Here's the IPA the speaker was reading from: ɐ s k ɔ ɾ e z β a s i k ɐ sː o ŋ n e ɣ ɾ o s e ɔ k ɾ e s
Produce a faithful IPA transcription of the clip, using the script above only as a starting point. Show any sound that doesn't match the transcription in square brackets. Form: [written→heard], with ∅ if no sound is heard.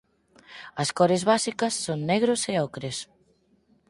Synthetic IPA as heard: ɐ s k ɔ ɾ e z β a s i k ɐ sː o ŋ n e ɣ ɾ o s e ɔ k ɾ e s